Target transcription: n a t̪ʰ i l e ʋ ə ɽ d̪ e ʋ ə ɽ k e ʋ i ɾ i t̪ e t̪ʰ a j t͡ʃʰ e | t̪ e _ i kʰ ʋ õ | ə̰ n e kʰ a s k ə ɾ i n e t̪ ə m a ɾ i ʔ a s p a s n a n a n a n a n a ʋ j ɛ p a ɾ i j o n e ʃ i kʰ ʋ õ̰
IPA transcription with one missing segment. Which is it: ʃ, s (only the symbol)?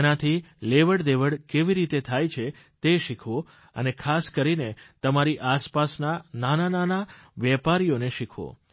ʃ